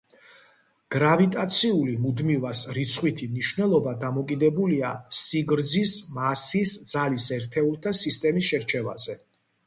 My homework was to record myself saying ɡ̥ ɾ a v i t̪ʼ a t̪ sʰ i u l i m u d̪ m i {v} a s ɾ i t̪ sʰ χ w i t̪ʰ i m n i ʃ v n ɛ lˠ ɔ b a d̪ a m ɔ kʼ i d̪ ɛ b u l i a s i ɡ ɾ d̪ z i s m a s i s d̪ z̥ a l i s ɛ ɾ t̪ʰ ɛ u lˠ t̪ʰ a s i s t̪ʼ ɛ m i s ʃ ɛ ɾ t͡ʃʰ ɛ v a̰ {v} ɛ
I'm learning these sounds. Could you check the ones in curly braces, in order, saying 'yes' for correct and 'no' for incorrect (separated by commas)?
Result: yes, no